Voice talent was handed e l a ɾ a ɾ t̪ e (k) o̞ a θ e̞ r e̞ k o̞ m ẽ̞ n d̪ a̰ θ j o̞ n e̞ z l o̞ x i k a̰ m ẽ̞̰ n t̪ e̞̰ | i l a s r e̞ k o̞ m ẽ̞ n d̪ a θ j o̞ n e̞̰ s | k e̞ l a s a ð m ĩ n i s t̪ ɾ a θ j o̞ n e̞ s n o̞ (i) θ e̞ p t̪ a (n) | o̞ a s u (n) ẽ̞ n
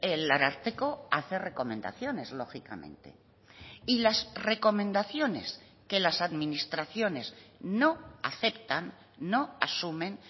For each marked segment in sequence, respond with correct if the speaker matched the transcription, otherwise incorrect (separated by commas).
correct, incorrect, incorrect, incorrect